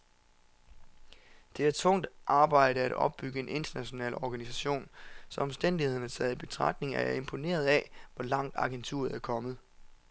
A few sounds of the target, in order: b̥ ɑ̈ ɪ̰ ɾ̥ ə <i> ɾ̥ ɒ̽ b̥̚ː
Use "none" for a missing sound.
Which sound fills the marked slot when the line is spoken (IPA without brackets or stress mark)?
æ